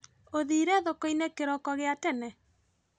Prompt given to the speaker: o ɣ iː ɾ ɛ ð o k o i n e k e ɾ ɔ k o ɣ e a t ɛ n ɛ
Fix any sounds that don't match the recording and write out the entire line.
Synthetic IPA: o ð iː ɾ ɛ ð o k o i n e k e ɾ ɔ k ɔ ɣ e a t ɛ n ɛ

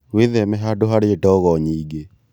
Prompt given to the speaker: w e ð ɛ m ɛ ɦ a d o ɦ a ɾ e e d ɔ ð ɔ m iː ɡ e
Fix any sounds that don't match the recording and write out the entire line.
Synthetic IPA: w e ð ɛ m ɛ ɦ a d o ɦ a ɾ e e d ɔ ɣ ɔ ɲ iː ɡ e

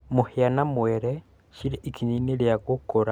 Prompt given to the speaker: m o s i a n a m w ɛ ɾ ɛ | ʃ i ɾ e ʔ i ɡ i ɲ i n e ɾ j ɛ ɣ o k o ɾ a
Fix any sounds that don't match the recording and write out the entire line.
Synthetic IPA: m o h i a n a m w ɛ ɾ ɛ | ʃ i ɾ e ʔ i k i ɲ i n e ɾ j a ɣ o k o ɾ a

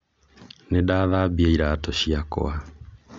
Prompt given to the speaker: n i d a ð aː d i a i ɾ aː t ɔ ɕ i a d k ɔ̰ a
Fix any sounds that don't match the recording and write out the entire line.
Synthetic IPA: n e d a ð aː b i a i ɾ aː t ɔ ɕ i a k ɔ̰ a

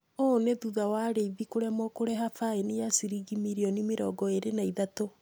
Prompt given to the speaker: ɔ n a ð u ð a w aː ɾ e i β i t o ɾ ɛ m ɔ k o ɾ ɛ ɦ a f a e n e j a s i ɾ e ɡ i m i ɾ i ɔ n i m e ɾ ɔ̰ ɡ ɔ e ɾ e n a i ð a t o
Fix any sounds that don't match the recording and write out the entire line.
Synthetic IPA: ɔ n e ð u ð a w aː ɾ e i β i k o ɾ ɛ m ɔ k o ɾ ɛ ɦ a f a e n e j a s i ɾ i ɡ i m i ɾ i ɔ n i m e ɾ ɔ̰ ɡ ɔ e ɾ e n a i ð a t o

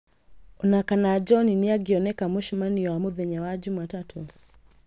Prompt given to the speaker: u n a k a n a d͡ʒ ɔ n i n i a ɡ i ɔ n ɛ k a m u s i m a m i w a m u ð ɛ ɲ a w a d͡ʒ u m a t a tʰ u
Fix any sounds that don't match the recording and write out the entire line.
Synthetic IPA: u n a k a n a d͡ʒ ɔ n i n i a ɡ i ɔ n ɛ k a m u ʃ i m a n i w a m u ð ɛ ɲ a w a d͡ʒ u m a t a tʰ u

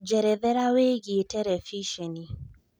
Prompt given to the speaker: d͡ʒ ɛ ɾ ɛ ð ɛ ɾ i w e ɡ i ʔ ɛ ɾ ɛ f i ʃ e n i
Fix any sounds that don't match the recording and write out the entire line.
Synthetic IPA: d͡ʒ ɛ ɾ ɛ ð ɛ ɾ a w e ɡ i t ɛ ɾ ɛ f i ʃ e n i

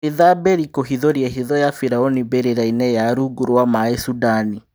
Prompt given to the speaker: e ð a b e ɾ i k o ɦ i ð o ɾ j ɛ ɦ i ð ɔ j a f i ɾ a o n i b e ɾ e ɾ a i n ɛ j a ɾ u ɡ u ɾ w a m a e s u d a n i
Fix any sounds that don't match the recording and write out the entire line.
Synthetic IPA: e ð a b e ɾ i k o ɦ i ð o ɾ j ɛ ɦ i ð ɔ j a f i ɾ a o n i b e ɾ e ɾ a i n ɛ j a ɾ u ɡ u ɾ w a m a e s u d a n i

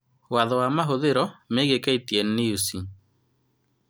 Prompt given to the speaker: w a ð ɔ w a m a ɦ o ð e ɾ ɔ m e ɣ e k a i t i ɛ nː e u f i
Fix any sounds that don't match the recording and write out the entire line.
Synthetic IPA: w a ð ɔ w a m a ɦ o ð e ɾ ɔ m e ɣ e k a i t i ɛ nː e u s i

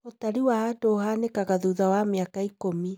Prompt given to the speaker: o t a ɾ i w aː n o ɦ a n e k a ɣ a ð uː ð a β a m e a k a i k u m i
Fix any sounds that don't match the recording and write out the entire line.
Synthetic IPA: o t a ɾ i w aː d o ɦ a n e k a ɣ a ð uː ð a w a m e a k a i k o m i

